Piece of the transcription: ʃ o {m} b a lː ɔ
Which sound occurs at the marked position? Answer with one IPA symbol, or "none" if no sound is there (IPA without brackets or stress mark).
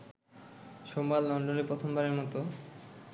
m